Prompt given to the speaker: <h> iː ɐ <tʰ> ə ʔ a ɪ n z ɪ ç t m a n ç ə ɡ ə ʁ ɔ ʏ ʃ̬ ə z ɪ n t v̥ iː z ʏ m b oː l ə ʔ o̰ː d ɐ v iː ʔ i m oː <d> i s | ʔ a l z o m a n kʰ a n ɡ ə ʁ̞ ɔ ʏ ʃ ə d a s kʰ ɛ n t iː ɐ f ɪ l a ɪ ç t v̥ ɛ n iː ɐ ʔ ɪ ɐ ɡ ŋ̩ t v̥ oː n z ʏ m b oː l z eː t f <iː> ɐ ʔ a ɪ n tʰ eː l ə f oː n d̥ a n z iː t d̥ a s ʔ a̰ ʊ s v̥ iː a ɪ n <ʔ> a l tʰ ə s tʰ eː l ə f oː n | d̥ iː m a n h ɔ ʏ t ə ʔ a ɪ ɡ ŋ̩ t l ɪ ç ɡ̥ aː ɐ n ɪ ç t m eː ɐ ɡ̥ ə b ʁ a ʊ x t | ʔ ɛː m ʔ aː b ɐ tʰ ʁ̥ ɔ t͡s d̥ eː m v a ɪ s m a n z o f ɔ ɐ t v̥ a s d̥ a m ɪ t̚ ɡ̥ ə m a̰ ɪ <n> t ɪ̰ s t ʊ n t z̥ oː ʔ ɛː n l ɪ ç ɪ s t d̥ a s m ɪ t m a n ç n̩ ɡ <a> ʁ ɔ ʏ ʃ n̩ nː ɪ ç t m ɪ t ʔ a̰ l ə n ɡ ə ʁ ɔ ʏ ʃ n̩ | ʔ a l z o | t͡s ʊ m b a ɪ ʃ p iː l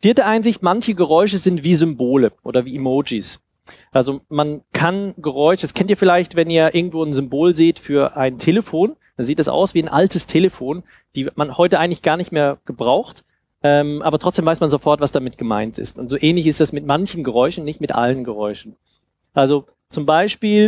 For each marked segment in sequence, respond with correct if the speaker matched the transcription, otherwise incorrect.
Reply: incorrect: f, incorrect: t, incorrect: d͡ʒ, incorrect: yː, correct, correct, incorrect: ə

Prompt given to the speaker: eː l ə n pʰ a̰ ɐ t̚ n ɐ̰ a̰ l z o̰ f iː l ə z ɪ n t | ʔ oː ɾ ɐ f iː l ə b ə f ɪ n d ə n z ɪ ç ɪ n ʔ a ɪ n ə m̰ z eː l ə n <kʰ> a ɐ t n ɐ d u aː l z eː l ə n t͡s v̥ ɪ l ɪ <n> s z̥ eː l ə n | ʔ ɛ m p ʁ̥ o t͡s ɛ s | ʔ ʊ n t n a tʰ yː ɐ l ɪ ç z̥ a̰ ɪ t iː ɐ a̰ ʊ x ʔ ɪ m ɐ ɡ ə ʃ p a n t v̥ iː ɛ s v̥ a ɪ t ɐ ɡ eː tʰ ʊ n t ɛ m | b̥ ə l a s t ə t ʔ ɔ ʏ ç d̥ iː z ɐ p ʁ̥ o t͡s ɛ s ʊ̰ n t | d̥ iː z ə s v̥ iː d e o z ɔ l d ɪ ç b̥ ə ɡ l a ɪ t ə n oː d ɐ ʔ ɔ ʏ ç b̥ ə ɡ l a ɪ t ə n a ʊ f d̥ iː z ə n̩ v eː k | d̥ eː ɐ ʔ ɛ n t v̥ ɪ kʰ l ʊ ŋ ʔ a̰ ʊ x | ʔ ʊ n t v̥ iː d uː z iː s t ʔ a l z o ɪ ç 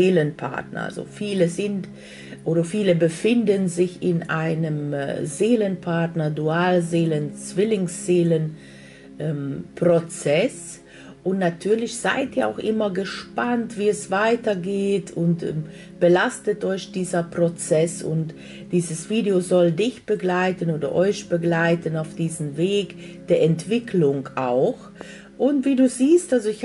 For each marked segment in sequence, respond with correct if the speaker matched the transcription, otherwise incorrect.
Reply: incorrect: pʰ, incorrect: ŋ

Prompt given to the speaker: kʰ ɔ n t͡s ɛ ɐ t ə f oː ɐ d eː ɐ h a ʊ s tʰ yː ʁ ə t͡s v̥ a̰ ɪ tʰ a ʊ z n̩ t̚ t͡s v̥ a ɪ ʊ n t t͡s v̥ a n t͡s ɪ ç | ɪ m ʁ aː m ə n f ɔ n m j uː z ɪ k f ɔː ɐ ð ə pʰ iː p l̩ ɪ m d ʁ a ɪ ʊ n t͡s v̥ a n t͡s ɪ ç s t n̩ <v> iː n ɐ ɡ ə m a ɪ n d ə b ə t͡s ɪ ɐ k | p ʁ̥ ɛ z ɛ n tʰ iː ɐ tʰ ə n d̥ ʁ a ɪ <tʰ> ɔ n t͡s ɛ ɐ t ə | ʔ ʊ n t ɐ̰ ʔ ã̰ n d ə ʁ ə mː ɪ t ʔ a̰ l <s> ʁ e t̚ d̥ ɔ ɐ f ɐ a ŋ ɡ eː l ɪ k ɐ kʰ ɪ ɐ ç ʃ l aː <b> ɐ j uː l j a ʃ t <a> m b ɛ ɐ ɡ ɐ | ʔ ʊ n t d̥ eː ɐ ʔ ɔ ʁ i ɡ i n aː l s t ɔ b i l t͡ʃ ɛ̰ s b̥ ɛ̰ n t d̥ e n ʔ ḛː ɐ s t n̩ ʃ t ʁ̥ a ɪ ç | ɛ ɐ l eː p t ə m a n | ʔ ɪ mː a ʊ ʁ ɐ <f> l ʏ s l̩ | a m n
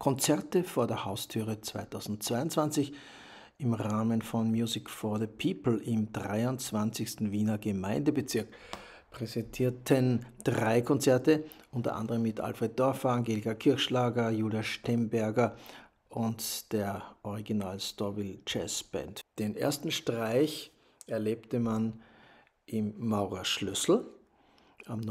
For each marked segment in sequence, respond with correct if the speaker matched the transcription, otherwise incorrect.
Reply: correct, incorrect: kʰ, incorrect: f, incorrect: ɡ, incorrect: ɛ, incorrect: ʃ

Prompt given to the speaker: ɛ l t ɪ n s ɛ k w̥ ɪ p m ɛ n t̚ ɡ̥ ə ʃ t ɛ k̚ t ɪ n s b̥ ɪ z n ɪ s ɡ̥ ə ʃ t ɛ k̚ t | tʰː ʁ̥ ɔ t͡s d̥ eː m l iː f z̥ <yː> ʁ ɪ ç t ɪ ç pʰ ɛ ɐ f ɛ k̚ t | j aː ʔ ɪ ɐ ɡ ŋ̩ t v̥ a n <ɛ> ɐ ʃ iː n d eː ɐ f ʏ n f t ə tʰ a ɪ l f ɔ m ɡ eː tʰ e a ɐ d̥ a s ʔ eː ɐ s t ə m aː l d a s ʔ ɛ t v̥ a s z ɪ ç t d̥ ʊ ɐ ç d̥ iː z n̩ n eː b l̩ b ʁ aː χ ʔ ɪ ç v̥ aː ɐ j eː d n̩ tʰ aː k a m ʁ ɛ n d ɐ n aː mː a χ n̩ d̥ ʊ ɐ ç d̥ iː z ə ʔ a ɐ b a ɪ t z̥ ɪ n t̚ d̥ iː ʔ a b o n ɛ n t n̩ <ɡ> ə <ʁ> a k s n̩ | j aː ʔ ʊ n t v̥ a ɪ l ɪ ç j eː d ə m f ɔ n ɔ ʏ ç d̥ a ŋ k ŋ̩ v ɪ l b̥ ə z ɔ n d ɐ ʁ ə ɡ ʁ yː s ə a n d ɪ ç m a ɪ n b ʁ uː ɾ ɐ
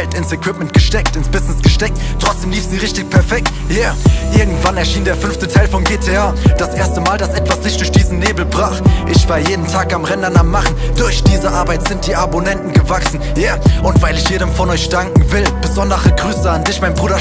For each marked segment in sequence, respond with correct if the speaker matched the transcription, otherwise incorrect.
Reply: incorrect: iː, correct, correct, incorrect: v

